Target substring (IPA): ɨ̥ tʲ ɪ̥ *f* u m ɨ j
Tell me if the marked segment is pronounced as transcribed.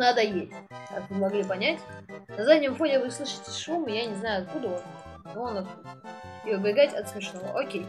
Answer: no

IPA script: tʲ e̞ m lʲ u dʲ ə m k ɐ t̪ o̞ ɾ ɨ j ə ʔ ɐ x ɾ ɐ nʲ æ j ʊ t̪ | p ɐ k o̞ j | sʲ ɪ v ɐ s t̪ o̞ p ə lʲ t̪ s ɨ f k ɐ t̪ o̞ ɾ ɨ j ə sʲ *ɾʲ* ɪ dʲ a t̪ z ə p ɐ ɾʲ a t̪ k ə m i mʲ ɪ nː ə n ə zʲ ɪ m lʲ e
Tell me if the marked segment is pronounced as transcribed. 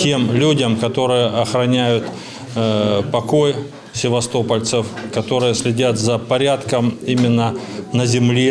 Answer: no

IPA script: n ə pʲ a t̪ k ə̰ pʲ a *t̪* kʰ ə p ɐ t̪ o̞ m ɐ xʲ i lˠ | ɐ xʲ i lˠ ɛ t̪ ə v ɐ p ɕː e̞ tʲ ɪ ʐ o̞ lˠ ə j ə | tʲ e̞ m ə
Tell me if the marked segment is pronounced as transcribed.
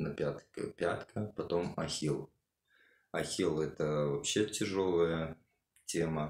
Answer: yes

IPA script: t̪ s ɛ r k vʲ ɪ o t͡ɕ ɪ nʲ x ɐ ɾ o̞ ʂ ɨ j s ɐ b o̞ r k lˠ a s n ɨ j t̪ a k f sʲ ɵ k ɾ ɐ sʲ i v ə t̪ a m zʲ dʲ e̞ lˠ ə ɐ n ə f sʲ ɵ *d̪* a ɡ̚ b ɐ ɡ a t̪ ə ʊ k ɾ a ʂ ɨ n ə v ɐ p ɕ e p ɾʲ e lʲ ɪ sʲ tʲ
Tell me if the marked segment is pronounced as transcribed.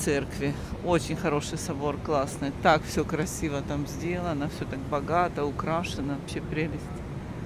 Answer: no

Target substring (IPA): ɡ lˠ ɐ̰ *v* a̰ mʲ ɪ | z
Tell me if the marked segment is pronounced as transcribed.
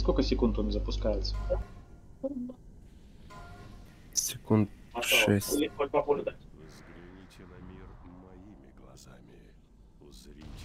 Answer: no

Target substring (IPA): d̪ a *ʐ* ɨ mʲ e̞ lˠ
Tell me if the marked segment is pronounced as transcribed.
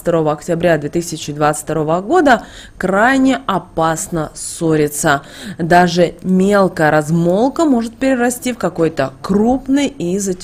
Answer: yes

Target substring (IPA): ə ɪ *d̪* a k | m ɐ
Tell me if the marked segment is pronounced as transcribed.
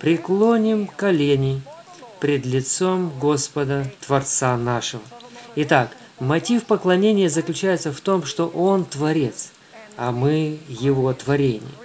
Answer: no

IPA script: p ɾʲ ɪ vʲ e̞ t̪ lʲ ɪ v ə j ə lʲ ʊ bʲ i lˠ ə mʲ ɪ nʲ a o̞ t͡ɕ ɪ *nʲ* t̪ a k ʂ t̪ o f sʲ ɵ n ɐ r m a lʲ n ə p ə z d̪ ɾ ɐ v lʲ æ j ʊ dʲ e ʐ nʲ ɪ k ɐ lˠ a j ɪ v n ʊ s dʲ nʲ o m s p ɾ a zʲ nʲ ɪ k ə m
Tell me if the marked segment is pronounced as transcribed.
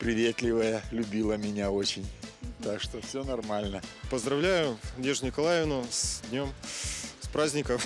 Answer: yes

